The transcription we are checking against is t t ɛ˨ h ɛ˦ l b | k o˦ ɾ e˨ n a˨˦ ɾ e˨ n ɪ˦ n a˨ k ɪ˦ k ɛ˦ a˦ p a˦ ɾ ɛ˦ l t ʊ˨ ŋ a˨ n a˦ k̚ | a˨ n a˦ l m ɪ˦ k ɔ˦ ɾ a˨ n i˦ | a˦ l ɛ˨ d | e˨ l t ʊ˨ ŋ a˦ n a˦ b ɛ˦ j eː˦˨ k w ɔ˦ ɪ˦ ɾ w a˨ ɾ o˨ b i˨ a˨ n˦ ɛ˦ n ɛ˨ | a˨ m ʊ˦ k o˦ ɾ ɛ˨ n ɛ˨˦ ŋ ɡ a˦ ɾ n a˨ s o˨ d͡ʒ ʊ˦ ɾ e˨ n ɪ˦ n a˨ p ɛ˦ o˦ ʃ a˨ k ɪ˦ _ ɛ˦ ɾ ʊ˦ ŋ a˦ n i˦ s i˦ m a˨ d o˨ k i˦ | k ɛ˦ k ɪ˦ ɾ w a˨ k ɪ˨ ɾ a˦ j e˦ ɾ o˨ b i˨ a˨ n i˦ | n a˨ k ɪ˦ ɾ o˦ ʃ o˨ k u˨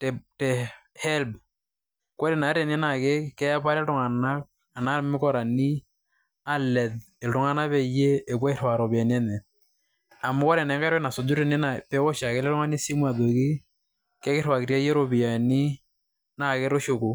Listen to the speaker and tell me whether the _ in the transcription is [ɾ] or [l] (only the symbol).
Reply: l